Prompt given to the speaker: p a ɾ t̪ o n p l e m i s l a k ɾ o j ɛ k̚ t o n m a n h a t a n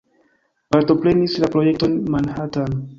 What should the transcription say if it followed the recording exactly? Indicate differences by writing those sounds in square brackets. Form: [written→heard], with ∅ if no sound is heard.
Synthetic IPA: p a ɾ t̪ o [n→∅] p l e [m→n] i s l a [k→p] ɾ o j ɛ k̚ t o n m a n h a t a n